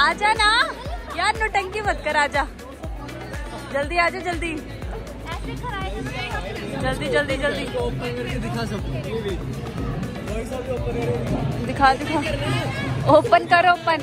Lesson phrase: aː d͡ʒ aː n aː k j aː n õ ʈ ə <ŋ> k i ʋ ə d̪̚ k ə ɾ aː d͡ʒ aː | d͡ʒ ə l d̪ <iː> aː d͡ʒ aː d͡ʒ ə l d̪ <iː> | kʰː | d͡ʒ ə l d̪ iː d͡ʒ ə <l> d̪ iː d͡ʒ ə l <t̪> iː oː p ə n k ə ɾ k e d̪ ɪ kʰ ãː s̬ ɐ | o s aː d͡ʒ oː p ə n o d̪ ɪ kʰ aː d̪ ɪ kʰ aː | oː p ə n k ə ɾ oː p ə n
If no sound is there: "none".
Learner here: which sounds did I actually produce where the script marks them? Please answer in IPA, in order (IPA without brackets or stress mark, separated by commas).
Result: ŋ, iː, iː, l, d̪